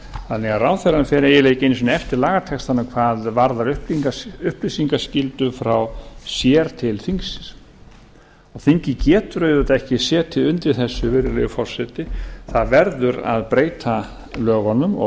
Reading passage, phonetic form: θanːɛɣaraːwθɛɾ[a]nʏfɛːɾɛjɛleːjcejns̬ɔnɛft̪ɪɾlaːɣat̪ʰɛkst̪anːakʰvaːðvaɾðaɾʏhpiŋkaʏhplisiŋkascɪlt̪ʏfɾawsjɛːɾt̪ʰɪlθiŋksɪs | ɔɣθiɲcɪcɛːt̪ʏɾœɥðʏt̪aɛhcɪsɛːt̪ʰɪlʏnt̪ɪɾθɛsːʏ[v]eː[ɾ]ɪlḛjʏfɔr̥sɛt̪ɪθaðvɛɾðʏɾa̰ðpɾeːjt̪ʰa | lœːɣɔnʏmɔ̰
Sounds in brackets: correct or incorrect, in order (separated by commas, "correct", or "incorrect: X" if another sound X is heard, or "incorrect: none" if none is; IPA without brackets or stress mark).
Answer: correct, correct, correct